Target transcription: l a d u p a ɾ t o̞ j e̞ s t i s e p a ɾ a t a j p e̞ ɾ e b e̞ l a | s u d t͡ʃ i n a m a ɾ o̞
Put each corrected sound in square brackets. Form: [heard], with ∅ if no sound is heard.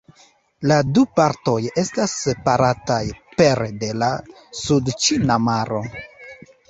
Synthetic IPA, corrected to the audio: l a d u p a ɾ t o̞ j e̞ s t [a] s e p a ɾ a t a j p e̞ ɾ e [d] e̞ l a | s u d t͡ʃ i n a m a ɾ o̞

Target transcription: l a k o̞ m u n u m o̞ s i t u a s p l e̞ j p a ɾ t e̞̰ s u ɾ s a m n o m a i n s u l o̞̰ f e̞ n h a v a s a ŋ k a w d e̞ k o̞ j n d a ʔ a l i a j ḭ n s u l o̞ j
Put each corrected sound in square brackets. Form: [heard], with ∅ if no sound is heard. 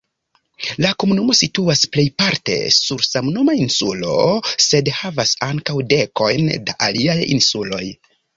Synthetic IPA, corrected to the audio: l a k o̞ m u n u m o̞ s i t u a s p l e̞ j p a ɾ t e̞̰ s u ɾ s a m n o m a i n s u l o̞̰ [s] e̞ [d] h a v a s a ŋ k a w d e̞ k o̞ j n d a ʔ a l i a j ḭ n s u l o̞ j

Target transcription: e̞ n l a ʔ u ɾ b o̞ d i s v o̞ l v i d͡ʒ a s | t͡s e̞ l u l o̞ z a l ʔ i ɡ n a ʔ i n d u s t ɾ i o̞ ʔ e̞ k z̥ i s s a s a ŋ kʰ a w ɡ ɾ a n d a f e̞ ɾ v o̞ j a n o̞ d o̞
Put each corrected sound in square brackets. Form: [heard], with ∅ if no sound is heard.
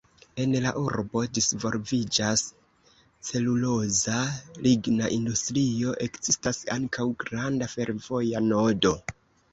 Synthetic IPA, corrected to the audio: e̞ n l a ʔ u ɾ b o̞ d i s v o̞ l v i d͡ʒ a s | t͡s e̞ l u l o̞ z a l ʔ i ɡ n a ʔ i n d u s t ɾ i o̞ ʔ e̞ k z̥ i s [t] a s a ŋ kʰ a w ɡ ɾ a n d a f e̞ ɾ v o̞ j a n o̞ d o̞

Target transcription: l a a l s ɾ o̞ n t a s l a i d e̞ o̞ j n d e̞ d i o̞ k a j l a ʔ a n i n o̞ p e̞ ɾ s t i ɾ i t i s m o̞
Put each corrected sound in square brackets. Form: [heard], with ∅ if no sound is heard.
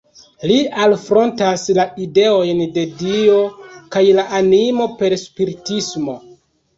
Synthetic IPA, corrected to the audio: l [i] a l [f] ɾ o̞ n t a s l a i d e̞ o̞ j n d e̞ d i o̞ k a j l a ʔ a n i [m] o̞ p e̞ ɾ s [p] i ɾ i t i s m o̞

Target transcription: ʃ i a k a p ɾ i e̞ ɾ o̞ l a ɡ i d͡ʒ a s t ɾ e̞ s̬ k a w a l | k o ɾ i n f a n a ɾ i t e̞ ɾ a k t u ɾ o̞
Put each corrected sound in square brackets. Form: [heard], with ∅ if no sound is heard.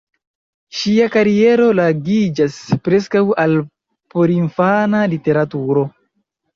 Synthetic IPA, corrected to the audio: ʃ i a k a [∅] ɾ i e̞ ɾ o̞ l a ɡ i d͡ʒ a s [p] ɾ e̞ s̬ k a w a l | [p] o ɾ i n f a n a [l] i t e̞ ɾ a [∅] t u ɾ o̞

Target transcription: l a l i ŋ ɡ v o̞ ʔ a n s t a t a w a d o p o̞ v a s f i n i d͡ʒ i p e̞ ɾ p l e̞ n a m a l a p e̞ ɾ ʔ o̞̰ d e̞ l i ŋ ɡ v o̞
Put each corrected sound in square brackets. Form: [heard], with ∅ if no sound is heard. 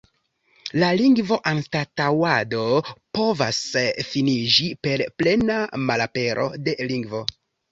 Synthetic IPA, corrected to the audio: l a l i ŋ ɡ v o̞ ʔ a n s t a t a w a d o p o̞ v a s f i n i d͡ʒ i p e̞ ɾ p l e̞ n a m a l a p e̞ ɾ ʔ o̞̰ d e̞ l i ŋ ɡ v o̞

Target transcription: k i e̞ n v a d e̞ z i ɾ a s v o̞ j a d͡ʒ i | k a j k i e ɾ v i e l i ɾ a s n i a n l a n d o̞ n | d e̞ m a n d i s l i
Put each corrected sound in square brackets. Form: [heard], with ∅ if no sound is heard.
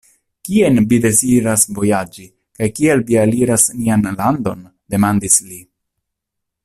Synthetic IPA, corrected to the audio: k i e̞ n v [i] d e̞ z i ɾ a s v o̞ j a d͡ʒ i | k a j k i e [l] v i [a] l i ɾ a s n i a n l a n d o̞ n | d e̞ m a n d i s l i

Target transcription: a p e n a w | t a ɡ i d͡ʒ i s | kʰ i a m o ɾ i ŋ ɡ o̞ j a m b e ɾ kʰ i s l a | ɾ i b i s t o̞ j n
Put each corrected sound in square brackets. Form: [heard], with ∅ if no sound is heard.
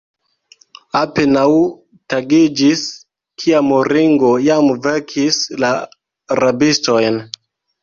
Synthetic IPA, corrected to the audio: a p e n a w | t a ɡ i d͡ʒ i s | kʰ i a m o ɾ i ŋ ɡ o̞ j a m [v] e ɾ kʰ i s l a | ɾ [a] b i s t o̞ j n

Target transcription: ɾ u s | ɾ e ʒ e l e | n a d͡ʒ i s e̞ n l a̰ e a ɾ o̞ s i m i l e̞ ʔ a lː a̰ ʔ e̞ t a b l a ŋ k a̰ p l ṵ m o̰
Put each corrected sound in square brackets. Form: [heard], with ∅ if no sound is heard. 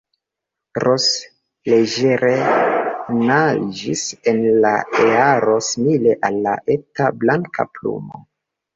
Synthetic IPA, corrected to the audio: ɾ [o] s | [l] e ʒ e [ɾ] e | n a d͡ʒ i s e̞ n l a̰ e a ɾ o̞ s i m i l e̞ ʔ a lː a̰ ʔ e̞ t a b l a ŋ k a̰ p l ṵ m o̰

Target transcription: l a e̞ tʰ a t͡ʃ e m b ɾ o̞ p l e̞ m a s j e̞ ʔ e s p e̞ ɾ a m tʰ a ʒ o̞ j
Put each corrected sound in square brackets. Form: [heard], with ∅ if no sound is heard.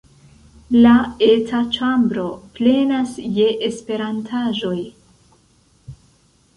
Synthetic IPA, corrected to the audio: l a e̞ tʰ a t͡ʃ [a] m b ɾ o̞ p l e̞ [n] a s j e̞ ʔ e s p e̞ ɾ a [n] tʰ a ʒ o̞ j

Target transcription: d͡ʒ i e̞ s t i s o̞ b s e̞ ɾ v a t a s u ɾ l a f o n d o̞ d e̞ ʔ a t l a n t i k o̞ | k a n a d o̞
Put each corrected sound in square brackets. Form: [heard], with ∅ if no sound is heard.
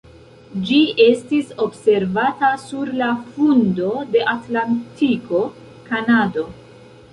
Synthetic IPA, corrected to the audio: d͡ʒ i e̞ s t i s o̞ b s e̞ ɾ v a t a s u ɾ l a f [u] n d o̞ d e̞ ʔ a t l a n t i k o̞ | k a n a d o̞

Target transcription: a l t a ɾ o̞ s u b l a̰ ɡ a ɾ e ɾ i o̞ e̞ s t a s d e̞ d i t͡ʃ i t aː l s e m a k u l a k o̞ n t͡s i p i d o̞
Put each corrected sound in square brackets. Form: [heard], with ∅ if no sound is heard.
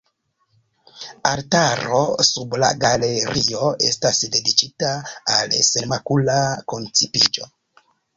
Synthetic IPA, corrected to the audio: a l t a ɾ o̞ s u b l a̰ ɡ a [l] e ɾ i o̞ e̞ s t a s d e̞ d i t͡ʃ i t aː l s e m a k u l a k o̞ n t͡s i p i [d͡ʒ] o̞

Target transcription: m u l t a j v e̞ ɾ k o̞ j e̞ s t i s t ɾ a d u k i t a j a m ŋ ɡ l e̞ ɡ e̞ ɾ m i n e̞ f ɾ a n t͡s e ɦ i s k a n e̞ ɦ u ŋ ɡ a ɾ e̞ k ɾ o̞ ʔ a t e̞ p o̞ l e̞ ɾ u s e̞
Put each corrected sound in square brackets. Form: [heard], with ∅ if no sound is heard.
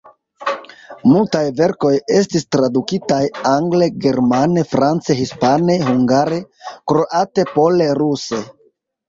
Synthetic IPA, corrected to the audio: m u l t a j v e̞ ɾ k o̞ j e̞ s t i s t ɾ a d u k i t a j a [∅] ŋ ɡ l e̞ ɡ e̞ ɾ m [a] n e̞ f ɾ a n t͡s e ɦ i s [p] a n e̞ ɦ u ŋ ɡ a ɾ e̞ k ɾ o̞ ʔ a t e̞ p o̞ l e̞ ɾ u s e̞

